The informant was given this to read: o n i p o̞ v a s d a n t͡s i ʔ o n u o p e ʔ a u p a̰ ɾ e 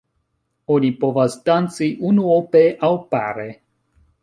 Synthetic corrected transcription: o n i p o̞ v a s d a n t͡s i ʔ u n u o p e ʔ a w p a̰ ɾ e